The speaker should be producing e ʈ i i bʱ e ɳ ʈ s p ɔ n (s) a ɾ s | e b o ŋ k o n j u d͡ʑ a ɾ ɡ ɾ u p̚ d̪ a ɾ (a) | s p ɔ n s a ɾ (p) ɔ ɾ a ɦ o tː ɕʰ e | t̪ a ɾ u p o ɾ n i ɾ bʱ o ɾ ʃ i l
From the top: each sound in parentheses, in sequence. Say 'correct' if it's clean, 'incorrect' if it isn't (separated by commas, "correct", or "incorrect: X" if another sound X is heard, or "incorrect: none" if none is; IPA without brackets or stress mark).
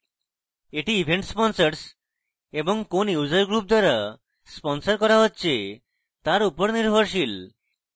correct, correct, incorrect: k